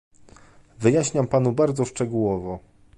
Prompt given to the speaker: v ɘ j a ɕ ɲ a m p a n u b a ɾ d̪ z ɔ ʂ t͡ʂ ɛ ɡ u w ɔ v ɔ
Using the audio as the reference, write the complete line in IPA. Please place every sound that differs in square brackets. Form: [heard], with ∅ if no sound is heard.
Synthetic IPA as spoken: v ɘ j a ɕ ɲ a m p a n u b a ɾ d̪ z ɔ ʂ t͡ʂ ɛ ɡ u w ɔ v ɔ